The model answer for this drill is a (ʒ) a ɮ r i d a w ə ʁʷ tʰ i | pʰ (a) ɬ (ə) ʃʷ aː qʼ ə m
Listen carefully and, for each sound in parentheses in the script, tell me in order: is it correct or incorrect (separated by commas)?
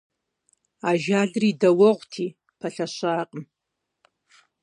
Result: correct, correct, incorrect